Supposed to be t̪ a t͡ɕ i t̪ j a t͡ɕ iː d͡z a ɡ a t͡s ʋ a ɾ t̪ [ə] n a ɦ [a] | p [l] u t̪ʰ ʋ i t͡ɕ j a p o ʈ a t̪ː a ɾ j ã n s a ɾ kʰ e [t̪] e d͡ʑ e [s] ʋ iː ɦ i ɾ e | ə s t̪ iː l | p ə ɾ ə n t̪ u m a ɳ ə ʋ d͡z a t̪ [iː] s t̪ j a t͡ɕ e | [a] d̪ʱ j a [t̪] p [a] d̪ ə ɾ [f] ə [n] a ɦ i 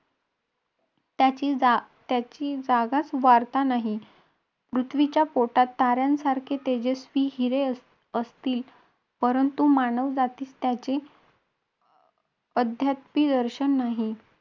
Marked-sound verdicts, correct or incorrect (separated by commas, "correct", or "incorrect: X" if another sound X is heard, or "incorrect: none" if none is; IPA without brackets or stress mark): incorrect: a, incorrect: i, incorrect: ɾ, correct, correct, correct, incorrect: ə, correct, incorrect: i, incorrect: ɕ, incorrect: nː